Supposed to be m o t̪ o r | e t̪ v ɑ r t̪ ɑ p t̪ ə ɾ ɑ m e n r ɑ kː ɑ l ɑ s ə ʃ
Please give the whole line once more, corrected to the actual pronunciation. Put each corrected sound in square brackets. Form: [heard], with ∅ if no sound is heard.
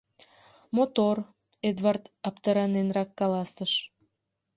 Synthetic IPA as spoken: m o t̪ o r | e [d̪] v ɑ r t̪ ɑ p t̪ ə ɾ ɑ [n] e n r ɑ kː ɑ l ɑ s ə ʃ